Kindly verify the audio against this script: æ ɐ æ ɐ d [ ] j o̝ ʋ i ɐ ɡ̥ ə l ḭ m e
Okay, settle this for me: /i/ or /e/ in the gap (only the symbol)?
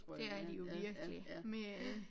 i